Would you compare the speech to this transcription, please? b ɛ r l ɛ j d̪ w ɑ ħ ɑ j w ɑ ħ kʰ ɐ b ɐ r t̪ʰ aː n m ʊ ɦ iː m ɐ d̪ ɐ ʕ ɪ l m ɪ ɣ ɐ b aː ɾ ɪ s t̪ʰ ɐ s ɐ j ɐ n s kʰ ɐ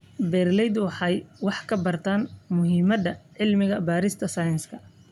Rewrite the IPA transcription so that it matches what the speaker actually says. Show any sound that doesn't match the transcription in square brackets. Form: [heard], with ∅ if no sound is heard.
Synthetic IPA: b ɛ r l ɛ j d̪ w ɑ ħ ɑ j w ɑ ħ kʰ ɐ b ɐ r t̪ʰ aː n m ʊ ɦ iː m ɐ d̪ ɐ ʕ ɪ l m ɪ ɣ ɐ b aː ɾ ɪ s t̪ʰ ɐ s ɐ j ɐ n s kʰ ɐ

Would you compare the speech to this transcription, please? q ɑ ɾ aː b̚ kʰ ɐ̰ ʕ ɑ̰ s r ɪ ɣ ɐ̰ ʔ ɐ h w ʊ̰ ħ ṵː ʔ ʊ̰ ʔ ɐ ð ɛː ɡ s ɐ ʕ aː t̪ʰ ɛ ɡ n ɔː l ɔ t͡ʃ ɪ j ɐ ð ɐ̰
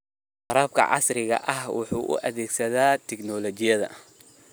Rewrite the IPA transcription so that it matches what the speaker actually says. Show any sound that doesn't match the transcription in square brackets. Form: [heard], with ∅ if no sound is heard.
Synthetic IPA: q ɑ ɾ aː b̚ kʰ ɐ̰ ʕ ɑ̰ s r ɪ ɣ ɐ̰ ʔ ɐ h w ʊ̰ ħ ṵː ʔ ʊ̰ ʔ ɐ ð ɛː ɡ s ɐ [ð] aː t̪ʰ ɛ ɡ n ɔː l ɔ t͡ʃ ɪ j ɐ ð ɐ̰

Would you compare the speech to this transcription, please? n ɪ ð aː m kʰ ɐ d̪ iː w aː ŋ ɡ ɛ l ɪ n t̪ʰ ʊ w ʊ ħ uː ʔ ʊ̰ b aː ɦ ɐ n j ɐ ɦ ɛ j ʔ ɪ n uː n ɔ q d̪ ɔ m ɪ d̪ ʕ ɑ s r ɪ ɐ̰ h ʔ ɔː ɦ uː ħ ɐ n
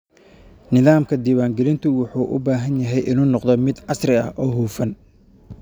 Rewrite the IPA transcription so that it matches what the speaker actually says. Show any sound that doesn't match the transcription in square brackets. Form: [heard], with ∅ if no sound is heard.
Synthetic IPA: n ɪ ð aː m kʰ ɐ d̪ iː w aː ŋ ɡ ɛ l ɪ n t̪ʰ ʊ w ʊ ħ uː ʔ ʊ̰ b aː ɦ ɐ n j ɐ ɦ ɛ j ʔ ɪ n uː n ɔ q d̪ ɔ m ɪ d̪ ʕ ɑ s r ɪ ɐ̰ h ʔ ɔː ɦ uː [f] ɐ n

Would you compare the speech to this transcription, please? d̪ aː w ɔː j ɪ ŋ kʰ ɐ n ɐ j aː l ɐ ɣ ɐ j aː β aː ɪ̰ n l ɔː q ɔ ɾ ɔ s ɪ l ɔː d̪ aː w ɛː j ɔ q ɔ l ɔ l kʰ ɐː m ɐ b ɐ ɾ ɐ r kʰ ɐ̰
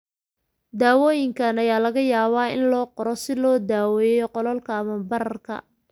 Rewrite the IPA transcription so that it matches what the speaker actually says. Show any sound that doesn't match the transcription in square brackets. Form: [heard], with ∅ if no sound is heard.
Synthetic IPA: d̪ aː w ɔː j ɪ ŋ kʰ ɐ n ɐ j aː l ɐ ɣ ɐ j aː β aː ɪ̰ n l ɔː q ɔ ɾ ɔ s ɪ l ɔː d̪ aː w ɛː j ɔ q ɔ l ɔ l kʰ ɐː m ɐ b ɐ ɾ ɐ r kʰ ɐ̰

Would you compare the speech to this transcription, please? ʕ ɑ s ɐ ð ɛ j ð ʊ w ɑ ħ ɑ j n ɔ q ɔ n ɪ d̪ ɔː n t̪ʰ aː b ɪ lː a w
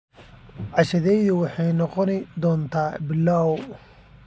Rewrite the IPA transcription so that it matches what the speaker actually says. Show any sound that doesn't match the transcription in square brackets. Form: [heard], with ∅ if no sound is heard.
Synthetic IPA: ʕ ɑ [ʃ] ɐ ð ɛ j ð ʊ w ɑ ħ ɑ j n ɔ q ɔ n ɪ d̪ ɔː n t̪ʰ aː b ɪ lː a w

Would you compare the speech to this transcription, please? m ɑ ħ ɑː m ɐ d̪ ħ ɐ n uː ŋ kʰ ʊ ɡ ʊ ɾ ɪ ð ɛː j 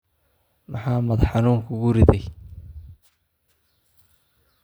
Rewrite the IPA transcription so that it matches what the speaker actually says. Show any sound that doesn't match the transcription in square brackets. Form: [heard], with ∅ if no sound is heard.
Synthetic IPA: m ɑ ħ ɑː m ɐ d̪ ħ [ɑ] n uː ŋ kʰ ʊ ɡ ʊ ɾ ɪ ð [ɛ] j

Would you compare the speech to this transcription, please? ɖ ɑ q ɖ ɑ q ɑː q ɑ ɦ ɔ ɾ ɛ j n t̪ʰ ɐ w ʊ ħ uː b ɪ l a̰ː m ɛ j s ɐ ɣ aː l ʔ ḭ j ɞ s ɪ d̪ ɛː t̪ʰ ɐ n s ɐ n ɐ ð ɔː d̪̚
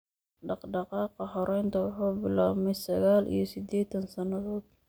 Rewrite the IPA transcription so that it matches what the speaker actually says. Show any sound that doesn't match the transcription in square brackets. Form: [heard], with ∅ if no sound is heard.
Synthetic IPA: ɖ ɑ q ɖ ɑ q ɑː q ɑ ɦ ɔ ɾ ɛ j n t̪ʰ ɐ w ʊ ħ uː b ɪ l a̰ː m ɛ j s ɐ ɣ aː l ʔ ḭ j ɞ s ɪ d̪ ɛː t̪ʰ ɐ n s ɐ n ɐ ð ɔː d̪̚

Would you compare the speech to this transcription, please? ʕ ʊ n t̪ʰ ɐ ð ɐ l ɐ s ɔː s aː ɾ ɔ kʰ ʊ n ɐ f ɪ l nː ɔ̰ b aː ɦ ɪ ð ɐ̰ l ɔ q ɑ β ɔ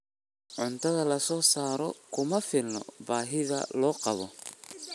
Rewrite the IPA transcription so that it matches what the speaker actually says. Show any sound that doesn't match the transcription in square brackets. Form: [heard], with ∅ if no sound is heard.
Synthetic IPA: ʕ ʊ n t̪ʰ ɐ ð ɐ l ɐ s ɔː s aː ɾ ɔ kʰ ʊ [m] ɐ f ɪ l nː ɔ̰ b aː ɦ ɪ ð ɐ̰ l [ɔː] q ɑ β ɔ

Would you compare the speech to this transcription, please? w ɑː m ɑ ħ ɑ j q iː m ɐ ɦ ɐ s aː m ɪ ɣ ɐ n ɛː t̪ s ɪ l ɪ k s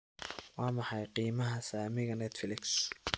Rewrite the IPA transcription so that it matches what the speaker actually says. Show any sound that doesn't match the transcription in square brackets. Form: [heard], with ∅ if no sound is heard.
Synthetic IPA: w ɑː m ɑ ħ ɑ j q iː m ɐ ɦ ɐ s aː m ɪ ɣ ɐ n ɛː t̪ [f] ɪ l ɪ k s

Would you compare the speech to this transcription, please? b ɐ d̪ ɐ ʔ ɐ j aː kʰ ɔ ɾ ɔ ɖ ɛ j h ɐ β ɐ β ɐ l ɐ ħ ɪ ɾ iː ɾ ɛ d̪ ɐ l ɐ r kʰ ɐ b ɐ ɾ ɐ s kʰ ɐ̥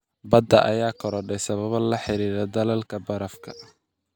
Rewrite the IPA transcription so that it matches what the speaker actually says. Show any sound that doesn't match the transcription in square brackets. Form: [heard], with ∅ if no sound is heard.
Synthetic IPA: b ɐ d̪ ɐ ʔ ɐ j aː kʰ ɔ ɾ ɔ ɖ ɛ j [s] ɐ β ɐ β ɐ l ɐ ħ ɪ ɾ iː ɾ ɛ d̪ ɐ l ɐ [l] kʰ ɐ b ɐ ɾ ɐ [f] kʰ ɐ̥

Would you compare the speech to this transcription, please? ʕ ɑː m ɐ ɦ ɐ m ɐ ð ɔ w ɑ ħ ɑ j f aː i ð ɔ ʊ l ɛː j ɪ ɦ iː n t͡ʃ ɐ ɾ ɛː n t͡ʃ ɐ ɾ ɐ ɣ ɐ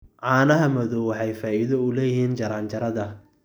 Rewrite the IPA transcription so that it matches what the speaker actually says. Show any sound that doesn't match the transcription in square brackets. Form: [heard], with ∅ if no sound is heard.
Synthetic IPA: ʕ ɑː [n] ɐ ɦ ɐ m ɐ ð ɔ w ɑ ħ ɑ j f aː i ð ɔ ʊ l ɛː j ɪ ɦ iː n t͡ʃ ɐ ɾ [aː] n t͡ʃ ɐ ɾ ɐ [ð] ɐ

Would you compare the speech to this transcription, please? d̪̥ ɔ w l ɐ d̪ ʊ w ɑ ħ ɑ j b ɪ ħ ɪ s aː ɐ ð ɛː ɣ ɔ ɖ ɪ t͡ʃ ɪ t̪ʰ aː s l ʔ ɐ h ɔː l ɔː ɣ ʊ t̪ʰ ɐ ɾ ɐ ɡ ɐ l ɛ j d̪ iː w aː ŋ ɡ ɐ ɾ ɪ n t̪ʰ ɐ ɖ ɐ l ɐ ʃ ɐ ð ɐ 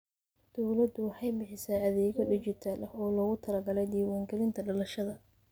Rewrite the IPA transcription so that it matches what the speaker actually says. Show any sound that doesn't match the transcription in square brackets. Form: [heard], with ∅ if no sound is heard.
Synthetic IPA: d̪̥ ɔ w l ɐ d̪ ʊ w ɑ ħ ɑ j b ɪ ħ ɪ s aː ɐ ð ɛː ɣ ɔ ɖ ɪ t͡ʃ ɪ t̪ʰ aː [∅] l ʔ ɐ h ɔː l ɔː ɣ ʊ t̪ʰ ɐ [l] ɐ ɡ ɐ l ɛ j d̪ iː w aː ŋ ɡ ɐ [l] ɪ n t̪ʰ ɐ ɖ ɐ l ɐ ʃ ɐ ð ɐ

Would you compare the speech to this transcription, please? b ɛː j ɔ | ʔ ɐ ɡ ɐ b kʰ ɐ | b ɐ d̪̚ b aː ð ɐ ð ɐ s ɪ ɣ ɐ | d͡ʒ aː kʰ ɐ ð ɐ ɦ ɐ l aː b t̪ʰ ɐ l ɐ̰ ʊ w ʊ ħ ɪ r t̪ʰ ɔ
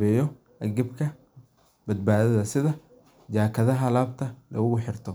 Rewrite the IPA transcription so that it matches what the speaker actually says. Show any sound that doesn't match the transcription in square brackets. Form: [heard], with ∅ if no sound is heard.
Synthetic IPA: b ɛː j ɔ | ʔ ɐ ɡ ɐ b kʰ ɐ | b ɐ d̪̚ b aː ð ɐ ð ɐ s ɪ [ð] ɐ | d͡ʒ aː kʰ ɐ ð ɐ ɦ ɐ l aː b t̪ʰ ɐ l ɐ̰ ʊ [ɣ] ʊ ħ ɪ r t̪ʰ ɔ

